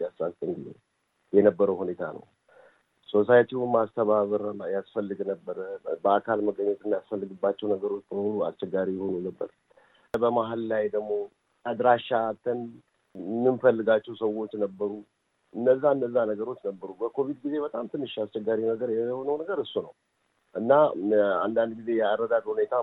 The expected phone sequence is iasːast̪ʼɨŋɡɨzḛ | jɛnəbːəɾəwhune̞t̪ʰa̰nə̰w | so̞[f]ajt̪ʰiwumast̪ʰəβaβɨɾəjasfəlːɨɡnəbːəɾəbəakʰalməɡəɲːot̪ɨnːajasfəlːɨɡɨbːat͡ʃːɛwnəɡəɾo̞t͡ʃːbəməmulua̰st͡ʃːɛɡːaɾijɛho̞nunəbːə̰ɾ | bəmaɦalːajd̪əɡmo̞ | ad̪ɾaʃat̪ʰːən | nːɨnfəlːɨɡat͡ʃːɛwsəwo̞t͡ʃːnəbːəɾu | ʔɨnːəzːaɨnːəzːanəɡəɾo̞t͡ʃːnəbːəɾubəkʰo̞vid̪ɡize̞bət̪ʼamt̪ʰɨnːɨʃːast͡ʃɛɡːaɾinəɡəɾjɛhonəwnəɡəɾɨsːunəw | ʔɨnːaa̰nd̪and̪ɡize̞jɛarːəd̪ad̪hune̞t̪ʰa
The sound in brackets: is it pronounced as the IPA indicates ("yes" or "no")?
no